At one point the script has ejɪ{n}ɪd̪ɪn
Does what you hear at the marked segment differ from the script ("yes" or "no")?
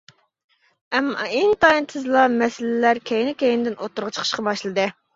no